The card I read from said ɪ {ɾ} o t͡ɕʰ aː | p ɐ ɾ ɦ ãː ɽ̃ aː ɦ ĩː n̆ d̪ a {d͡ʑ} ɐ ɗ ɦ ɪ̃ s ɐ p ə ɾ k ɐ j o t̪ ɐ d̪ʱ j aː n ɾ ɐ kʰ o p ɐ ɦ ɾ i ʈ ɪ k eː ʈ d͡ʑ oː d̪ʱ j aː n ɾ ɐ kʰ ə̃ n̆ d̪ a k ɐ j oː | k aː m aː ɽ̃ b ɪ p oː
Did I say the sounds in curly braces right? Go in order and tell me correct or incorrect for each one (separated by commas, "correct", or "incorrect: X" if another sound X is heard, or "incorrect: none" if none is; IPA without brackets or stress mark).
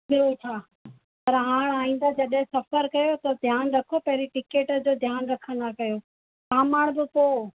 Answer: correct, correct